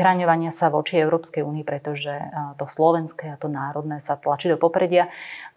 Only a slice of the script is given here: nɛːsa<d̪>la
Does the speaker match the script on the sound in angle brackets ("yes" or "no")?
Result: no